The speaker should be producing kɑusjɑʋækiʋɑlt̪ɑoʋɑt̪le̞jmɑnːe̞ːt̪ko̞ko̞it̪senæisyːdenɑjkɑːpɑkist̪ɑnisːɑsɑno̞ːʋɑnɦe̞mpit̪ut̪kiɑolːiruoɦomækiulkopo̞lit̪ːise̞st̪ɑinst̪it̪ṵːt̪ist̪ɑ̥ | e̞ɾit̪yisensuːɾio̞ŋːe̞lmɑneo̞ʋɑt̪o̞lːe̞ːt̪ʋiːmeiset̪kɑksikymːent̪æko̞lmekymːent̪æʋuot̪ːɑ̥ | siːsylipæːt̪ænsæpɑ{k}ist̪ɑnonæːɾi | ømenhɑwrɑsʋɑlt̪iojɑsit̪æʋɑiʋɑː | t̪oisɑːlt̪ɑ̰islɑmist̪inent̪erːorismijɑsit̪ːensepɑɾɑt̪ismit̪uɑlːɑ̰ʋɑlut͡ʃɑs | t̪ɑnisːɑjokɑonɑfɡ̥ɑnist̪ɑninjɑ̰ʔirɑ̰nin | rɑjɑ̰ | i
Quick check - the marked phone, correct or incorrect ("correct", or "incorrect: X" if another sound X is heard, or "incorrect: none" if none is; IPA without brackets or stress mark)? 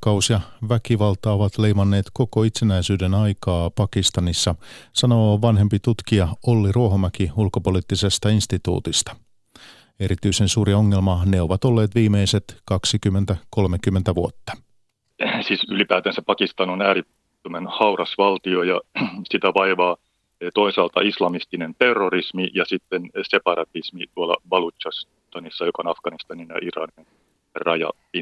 correct